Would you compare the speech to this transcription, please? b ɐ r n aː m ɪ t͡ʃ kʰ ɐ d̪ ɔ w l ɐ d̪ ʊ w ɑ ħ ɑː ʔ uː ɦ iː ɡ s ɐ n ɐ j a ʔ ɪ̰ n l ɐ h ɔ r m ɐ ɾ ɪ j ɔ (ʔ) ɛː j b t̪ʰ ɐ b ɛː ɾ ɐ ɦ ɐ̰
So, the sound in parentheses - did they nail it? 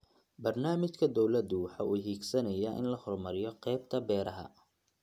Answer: no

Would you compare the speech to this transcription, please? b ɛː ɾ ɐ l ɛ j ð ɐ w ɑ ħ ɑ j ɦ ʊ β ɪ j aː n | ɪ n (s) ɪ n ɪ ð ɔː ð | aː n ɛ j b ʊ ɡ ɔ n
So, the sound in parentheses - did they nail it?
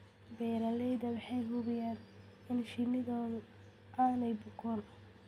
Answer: no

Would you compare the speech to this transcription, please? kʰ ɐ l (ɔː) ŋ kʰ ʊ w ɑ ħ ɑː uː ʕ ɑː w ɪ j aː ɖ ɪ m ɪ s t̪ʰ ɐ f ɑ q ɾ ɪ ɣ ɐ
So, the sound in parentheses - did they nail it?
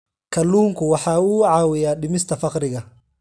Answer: no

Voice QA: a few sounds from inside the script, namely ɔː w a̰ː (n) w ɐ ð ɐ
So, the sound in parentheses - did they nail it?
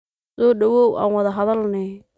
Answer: yes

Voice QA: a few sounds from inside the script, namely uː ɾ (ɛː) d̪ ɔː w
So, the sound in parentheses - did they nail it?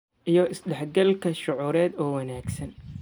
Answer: yes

